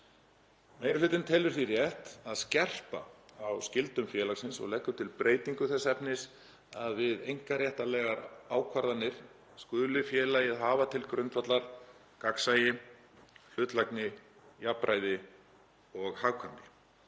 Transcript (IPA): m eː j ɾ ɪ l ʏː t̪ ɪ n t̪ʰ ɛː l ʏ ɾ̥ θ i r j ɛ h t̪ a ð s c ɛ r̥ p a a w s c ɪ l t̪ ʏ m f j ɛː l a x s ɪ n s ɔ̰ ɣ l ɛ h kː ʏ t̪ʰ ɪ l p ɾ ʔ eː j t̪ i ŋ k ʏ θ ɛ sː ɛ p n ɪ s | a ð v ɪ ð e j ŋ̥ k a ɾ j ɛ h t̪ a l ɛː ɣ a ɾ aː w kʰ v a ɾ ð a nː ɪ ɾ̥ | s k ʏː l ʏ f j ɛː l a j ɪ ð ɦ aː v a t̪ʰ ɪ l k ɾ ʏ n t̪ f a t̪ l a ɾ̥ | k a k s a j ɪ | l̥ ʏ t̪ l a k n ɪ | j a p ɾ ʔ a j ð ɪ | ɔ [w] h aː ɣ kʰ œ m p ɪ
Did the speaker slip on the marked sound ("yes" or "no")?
yes